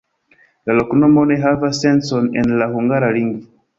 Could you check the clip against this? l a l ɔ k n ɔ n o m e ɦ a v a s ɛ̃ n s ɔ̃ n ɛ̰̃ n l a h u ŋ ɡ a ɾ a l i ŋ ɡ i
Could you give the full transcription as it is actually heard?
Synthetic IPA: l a l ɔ k n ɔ m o n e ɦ a v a s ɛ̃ n s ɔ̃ n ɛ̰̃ n l a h u ŋ ɡ a ɾ a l i ŋ ɡ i